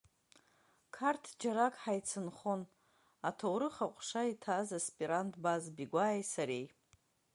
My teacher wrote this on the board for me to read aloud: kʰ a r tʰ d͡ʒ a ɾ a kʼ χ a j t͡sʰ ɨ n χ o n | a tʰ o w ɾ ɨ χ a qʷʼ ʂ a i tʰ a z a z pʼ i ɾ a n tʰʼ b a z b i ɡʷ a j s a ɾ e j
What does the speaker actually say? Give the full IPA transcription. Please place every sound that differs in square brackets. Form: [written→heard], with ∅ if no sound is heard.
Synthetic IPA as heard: kʰ a r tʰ d͡ʒ a ɾ a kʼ [χ→ħ] a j t͡sʰ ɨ n χ o n | a tʰ o w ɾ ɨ χ a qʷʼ ʂ a i tʰ a z a [z→s] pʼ i ɾ a n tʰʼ b a z b i ɡʷ a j s a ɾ e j